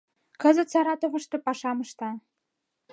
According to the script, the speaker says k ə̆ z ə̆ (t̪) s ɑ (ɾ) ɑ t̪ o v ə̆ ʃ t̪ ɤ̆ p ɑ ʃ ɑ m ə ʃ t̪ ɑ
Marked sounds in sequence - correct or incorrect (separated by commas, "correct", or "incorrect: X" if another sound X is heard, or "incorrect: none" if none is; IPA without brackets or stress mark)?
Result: correct, correct